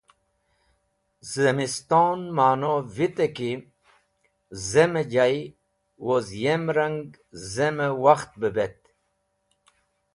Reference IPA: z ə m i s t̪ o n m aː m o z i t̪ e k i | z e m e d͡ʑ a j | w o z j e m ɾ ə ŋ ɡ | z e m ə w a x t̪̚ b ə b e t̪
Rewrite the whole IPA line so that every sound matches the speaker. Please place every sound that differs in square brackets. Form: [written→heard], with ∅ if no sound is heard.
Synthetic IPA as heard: z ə m i s t̪ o n m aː [m→n] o [z→v] i t̪ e k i | z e m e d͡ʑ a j | w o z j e m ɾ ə ŋ ɡ | z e m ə w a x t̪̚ b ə b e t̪